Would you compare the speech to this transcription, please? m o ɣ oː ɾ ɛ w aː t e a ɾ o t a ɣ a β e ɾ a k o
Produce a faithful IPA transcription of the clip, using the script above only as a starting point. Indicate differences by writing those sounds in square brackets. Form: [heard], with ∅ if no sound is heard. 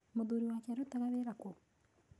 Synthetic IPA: m o [ð] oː ɾ [i] w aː [k] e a ɾ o t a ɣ a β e ɾ a k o